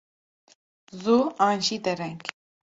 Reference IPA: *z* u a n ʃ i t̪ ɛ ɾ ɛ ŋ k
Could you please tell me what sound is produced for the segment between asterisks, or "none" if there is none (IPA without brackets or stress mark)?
z